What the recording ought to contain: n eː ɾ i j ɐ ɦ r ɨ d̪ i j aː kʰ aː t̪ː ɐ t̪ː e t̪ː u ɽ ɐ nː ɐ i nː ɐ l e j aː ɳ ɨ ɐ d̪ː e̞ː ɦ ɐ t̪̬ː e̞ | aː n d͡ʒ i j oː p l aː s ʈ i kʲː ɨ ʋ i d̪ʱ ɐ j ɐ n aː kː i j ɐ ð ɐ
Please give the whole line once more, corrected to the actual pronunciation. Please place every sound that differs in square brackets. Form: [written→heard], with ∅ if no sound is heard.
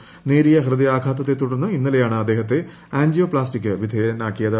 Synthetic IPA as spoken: n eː ɾ i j ɐ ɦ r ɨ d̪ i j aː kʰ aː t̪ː ɐ t̪ː e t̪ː u ɽ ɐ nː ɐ i nː ɐ l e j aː ɳ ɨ ɐ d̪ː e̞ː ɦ ɐ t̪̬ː e̞ | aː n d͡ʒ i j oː p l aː s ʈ i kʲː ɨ ʋ i d̪ʱ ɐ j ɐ n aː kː i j ɐ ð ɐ